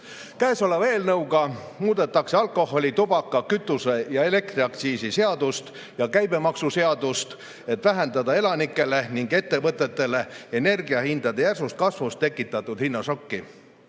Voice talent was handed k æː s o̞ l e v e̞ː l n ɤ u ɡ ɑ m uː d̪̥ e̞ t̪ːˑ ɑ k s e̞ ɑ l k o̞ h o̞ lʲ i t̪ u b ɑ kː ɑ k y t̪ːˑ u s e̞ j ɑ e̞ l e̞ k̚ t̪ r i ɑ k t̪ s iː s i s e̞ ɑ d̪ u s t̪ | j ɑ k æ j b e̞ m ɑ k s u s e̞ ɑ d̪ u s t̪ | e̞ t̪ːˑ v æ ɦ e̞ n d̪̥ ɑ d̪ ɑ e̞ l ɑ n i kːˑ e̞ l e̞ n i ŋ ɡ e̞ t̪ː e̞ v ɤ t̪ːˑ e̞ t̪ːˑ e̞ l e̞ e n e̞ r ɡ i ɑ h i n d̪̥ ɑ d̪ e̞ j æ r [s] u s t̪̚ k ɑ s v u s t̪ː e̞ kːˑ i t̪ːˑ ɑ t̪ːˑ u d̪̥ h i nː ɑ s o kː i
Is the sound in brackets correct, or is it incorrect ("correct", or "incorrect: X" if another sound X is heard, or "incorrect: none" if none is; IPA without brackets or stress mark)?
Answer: correct